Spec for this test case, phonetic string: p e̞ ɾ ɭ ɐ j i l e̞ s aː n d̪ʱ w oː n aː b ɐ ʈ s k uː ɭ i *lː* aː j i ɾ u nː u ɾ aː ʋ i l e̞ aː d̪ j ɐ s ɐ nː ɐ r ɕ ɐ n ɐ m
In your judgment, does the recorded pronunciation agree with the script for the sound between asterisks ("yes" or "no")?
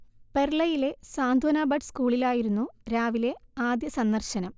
no